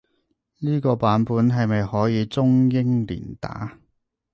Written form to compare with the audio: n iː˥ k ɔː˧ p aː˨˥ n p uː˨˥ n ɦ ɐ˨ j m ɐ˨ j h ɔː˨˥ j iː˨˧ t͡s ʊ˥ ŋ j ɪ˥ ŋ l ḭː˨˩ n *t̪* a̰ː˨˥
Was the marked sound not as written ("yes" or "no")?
no